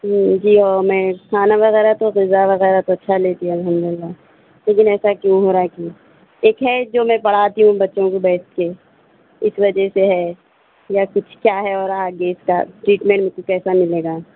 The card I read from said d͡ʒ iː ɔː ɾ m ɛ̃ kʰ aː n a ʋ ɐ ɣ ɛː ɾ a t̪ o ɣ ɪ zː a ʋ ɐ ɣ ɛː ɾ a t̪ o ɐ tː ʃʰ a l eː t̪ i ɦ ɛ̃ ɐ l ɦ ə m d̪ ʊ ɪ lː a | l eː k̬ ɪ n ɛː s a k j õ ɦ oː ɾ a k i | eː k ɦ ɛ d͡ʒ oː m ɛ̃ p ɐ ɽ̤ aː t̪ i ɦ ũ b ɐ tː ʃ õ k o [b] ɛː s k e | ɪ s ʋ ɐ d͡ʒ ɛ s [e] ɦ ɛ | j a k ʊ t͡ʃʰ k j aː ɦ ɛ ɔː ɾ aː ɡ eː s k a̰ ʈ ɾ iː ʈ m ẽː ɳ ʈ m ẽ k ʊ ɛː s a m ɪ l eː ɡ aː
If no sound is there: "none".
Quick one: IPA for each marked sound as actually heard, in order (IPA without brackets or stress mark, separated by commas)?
b, e